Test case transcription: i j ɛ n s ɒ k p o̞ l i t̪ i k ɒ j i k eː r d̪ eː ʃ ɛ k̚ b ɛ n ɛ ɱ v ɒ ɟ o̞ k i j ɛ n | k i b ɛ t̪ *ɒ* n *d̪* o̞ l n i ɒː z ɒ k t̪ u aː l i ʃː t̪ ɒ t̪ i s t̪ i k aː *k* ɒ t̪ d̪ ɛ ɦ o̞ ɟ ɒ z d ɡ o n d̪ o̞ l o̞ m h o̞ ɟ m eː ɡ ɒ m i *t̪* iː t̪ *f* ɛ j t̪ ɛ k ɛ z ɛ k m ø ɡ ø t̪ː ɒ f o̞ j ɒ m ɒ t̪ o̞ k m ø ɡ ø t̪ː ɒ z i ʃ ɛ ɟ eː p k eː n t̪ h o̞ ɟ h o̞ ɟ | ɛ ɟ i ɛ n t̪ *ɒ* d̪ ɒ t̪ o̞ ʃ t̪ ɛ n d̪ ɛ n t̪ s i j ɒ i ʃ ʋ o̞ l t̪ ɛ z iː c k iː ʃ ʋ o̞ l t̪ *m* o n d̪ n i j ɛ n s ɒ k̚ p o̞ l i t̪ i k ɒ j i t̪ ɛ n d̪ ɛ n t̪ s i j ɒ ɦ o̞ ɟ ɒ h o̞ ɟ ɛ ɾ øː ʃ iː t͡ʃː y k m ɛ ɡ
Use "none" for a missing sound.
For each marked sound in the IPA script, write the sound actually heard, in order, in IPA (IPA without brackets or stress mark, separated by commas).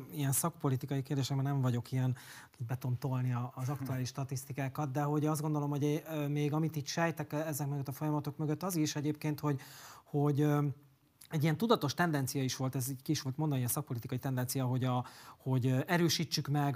o, t̪, k, t̪, ʃ, u, m